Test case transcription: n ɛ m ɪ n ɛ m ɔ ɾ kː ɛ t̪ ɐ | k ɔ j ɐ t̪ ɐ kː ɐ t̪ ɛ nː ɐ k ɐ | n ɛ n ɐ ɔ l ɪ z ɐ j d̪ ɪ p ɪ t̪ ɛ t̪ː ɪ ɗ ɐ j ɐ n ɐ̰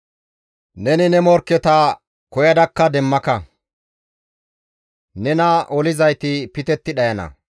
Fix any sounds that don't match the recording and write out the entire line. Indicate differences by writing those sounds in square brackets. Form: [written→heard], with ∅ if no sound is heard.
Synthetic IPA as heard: n ɛ [m→n] ɪ n ɛ m ɔ ɾ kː ɛ t̪ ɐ | k ɔ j ɐ [t̪→d̪] ɐ kː ɐ [t̪→d̪] ɛ [nː→mː] ɐ k ɐ | n ɛ n ɐ ɔ l ɪ z ɐ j [d̪→t̪] ɪ p ɪ t̪ ɛ t̪ː ɪ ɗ ɐ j ɐ n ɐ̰